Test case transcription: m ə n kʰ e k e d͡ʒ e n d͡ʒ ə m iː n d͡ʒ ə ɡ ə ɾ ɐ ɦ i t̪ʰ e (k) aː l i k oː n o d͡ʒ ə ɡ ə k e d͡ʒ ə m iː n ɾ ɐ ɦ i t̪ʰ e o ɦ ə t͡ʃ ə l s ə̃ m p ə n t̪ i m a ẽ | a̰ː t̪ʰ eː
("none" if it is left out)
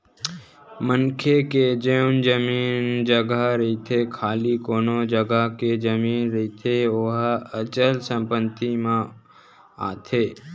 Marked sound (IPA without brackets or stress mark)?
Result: kʰ